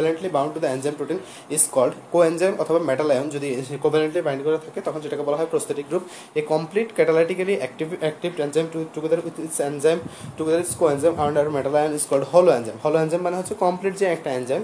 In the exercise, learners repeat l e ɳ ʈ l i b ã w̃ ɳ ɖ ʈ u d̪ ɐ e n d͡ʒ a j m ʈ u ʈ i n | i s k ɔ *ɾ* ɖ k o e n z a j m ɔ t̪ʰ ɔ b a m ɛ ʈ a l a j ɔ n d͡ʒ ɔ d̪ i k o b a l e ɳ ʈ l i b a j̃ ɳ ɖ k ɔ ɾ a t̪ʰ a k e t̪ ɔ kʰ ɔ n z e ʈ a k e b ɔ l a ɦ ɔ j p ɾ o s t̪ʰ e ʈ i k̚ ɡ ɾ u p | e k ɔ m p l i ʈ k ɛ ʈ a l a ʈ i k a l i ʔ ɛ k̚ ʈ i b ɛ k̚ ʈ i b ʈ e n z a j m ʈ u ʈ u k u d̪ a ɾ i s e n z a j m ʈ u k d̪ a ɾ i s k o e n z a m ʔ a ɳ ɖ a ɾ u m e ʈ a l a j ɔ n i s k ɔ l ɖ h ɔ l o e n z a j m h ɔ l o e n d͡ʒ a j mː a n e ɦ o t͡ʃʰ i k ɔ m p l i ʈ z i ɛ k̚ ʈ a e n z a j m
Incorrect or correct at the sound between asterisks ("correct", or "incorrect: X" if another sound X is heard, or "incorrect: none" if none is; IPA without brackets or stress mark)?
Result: incorrect: l